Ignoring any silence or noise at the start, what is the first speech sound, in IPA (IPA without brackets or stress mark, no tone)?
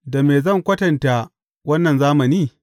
d